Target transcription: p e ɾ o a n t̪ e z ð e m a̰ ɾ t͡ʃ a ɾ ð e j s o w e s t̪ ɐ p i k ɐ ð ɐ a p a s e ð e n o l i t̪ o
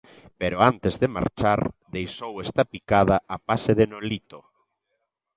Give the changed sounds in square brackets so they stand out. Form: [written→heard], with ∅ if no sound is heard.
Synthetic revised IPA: p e ɾ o a n t̪ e z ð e m a̰ ɾ t͡ʃ a ɾ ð e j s o w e s t̪ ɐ p i k [ɐ→a] ð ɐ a p a s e ð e n o l i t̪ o